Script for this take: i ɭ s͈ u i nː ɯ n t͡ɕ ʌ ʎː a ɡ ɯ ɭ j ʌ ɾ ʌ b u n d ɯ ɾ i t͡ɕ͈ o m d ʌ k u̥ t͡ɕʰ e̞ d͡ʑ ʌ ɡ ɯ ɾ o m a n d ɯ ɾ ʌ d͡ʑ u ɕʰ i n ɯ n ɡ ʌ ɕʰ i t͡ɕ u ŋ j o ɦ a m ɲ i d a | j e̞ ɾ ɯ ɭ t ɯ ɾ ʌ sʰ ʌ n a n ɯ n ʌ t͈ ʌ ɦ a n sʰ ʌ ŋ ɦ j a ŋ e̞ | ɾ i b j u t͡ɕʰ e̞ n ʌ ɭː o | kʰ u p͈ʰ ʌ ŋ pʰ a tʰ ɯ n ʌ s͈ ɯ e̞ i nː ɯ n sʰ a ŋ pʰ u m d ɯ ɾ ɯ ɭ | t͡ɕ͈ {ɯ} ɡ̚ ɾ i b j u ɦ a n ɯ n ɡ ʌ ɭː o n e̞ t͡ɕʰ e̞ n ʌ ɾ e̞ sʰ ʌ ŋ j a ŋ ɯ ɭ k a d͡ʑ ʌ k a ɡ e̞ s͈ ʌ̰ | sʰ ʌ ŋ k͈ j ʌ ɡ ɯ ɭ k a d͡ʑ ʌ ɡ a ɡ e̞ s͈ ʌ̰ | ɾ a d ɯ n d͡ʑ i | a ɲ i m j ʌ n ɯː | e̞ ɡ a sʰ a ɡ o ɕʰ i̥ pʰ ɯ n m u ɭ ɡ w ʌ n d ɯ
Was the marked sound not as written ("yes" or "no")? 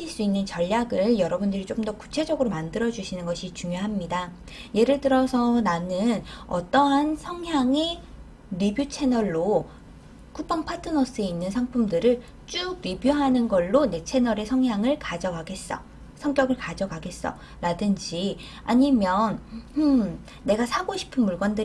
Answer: yes